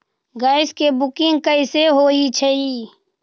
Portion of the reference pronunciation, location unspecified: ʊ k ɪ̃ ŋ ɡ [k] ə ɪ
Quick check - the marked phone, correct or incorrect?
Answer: correct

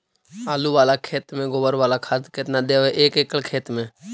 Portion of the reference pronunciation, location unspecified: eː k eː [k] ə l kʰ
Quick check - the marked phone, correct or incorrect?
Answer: correct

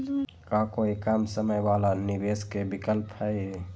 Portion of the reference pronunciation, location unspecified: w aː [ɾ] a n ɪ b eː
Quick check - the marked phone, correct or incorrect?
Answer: incorrect: l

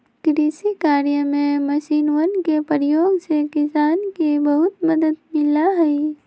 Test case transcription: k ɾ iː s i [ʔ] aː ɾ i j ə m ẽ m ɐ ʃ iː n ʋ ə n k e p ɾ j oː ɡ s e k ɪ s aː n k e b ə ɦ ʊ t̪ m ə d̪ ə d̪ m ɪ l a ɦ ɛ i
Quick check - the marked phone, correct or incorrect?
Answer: incorrect: k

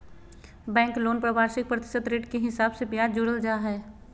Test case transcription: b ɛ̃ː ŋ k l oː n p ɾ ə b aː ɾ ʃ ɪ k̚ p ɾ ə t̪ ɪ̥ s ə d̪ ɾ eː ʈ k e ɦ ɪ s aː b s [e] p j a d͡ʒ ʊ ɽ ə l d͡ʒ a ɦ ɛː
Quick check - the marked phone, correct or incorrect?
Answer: correct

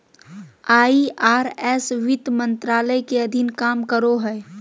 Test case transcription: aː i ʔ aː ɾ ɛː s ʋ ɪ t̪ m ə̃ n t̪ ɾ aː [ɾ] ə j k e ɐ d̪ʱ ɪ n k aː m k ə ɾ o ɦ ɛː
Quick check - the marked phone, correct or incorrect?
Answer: incorrect: l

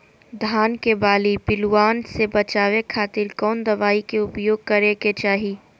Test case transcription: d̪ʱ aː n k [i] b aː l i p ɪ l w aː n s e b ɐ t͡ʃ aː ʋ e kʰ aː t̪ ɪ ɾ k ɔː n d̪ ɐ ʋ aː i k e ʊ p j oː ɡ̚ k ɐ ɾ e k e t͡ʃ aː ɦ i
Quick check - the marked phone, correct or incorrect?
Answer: incorrect: e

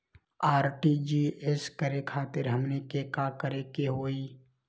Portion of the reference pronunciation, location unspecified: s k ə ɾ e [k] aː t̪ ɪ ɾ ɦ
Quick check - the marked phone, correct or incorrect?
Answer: incorrect: kʰ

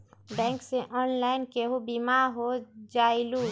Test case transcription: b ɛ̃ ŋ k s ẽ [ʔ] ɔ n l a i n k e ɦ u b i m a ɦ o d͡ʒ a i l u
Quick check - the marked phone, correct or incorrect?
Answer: correct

